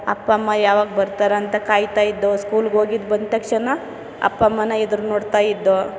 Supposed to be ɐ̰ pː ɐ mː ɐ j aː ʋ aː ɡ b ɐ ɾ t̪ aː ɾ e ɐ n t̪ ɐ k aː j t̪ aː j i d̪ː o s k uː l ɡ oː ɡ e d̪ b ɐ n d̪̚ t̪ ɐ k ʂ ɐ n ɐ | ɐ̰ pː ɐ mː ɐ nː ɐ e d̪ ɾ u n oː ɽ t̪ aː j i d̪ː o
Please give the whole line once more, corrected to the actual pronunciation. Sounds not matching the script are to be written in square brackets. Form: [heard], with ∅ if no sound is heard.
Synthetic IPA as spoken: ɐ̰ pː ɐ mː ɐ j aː ʋ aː ɡ b ɐ ɾ t̪ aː ɾ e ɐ n t̪ ɐ k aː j t̪ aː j i d̪ː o s k uː l ɡ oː ɡ [i] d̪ b ɐ n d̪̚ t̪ ɐ k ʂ ɐ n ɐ | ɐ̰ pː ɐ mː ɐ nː ɐ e d̪ ɾ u n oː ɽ t̪ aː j i d̪ː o